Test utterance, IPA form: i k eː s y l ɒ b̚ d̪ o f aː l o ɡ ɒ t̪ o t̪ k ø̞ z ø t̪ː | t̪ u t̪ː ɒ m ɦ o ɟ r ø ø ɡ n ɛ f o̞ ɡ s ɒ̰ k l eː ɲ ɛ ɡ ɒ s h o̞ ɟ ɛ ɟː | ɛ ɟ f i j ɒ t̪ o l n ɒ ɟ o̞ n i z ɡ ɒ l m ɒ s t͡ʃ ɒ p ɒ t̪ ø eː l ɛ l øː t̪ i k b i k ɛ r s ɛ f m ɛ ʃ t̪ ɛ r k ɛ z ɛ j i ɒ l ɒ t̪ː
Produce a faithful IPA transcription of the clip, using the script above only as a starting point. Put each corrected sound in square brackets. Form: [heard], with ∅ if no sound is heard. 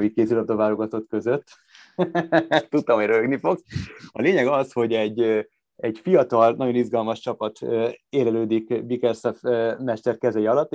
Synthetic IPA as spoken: i k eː s y l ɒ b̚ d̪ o [v] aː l o ɡ ɒ t̪ o t̪ k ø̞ z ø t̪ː | t̪ u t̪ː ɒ m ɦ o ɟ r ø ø ɡ n [i] f o̞ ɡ s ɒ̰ [∅] l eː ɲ ɛ ɡ ɒ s h o̞ ɟ ɛ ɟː | ɛ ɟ f i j ɒ t̪ [ɒ] l n ɒ ɟ o̞ n i z ɡ ɒ l m ɒ [ʃ] t͡ʃ ɒ p ɒ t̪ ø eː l ɛ l øː [d̪] i k b i k ɛ r s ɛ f m ɛ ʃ t̪ ɛ r k ɛ z ɛ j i ɒ l ɒ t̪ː